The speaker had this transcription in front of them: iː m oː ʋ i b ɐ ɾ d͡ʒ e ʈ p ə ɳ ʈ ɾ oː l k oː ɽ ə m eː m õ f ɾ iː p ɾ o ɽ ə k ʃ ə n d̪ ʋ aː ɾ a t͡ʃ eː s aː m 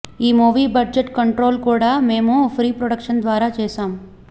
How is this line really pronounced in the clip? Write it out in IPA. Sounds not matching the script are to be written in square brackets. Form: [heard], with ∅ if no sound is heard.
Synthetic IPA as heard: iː m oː ʋ i b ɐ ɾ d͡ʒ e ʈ [k] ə ɳ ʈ ɾ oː l k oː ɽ [a] m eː m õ f ɾ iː p ɾ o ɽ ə k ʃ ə n d̪ ʋ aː ɾ a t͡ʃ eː s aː m

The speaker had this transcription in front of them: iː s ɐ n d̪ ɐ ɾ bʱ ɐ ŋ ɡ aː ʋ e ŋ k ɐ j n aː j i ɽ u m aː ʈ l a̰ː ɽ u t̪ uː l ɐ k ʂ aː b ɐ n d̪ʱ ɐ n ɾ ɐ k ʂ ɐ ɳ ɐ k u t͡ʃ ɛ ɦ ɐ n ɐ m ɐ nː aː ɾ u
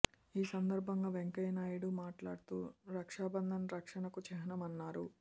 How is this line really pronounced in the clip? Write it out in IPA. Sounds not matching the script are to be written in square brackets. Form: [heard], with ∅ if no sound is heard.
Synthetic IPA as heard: iː s ɐ n d̪ ɐ ɾ bʱ ɐ ŋ ɡ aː ʋ e ŋ k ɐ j n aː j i ɽ u m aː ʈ l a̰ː ɽ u t̪ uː [ɾ] ɐ k ʂ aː b ɐ n d̪ʱ ɐ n ɾ ɐ k ʂ ɐ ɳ ɐ k u t͡ʃ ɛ ɦ ɐ n ɐ m ɐ nː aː ɾ u

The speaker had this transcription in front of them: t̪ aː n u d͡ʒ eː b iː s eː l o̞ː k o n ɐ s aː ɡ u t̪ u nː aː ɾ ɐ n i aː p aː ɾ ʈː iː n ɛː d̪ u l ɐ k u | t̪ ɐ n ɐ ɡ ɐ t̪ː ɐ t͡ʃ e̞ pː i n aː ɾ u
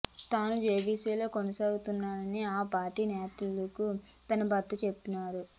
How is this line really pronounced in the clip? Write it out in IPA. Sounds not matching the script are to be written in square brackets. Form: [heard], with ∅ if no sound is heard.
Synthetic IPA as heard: t̪ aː n u d͡ʒ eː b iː s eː l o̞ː k o n ɐ s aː ɡ u t̪ u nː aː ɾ ɐ n i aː p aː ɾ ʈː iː n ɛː [t̪] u l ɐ k u | t̪ ɐ n ɐ [b] ɐ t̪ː ɐ t͡ʃ e̞ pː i n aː ɾ u

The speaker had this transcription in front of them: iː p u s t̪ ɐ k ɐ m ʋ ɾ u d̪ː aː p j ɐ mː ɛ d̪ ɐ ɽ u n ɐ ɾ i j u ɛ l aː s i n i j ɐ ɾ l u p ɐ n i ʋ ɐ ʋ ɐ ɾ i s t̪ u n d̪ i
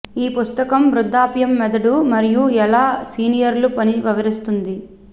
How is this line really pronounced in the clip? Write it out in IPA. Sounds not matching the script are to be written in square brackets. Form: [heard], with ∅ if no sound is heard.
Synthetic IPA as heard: iː p u s t̪ ɐ k ɐ m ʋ ɾ u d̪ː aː p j ɐ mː ɛ d̪ ɐ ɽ u [m] ɐ ɾ i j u ɛ l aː s [iː] n i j ɐ ɾ l u p ɐ n i ʋ ɐ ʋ ɐ ɾ i s t̪ u n d̪ i

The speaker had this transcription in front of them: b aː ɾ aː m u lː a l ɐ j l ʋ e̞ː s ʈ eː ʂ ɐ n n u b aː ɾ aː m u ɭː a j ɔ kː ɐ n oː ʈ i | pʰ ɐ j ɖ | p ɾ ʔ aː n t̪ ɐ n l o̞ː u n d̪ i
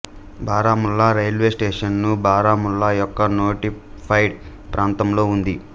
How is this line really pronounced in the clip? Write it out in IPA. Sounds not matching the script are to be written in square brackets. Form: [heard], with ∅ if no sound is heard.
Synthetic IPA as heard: b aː ɾ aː m u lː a [ɾ] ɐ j l ʋ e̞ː s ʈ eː ʂ ɐ n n u b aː ɾ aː m u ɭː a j ɔ kː ɐ n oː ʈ i | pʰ ɐ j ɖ | p ɾ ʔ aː n t̪ ɐ [m] l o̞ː u n d̪ i

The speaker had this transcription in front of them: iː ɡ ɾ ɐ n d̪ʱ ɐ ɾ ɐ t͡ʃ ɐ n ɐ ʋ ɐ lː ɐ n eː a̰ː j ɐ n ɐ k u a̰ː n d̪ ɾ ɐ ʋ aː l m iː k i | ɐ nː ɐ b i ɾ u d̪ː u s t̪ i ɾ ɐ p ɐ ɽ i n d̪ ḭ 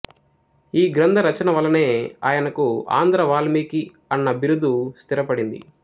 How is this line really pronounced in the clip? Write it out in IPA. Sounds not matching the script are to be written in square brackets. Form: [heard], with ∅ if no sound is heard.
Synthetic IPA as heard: iː ɡ ɾ ɐ n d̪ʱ ɐ ɾ ɐ t͡ʃ ɐ n ɐ ʋ ɐ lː ɐ n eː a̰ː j ɐ n ɐ k u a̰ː n d̪ ɾ ɐ ʋ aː l m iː k i | ɐ nː ɐ b i ɾ u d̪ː u s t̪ i ɾ ɐ p ɐ ɽ i n d̪ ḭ

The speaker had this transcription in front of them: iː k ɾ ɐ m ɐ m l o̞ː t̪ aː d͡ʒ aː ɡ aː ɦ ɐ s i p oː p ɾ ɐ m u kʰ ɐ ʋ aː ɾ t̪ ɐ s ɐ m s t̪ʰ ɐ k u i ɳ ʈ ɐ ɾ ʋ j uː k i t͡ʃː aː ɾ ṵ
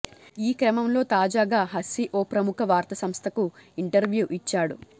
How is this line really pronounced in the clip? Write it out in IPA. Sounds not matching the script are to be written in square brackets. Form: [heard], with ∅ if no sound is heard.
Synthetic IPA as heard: iː k ɾ ɐ m ɐ m l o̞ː t̪ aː d͡ʒ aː ɡ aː ɦ ɐ s i [ʔ] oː p ɾ ɐ m u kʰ ɐ ʋ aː ɾ t̪ ɐ s ɐ m s t̪ʰ ɐ k u i ɳ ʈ ɐ ɾ ʋ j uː [ʔ] i t͡ʃː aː [ɽ] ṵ

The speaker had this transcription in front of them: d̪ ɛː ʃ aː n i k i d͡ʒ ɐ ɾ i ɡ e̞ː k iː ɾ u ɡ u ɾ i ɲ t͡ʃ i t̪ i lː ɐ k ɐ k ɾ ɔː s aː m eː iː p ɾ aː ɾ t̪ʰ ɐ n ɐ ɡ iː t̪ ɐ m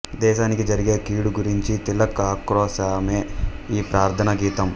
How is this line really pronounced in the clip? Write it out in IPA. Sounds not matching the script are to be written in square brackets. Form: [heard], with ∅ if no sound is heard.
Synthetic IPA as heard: d̪ ɛː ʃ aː n i k i d͡ʒ ɐ ɾ i ɡ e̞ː k iː [ɽ] u ɡ u ɾ i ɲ t͡ʃ i t̪ i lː ɐ k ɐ k ɾ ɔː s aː m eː iː p ɾ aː ɾ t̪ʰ ɐ n ɐ ɡ iː t̪ ɐ m

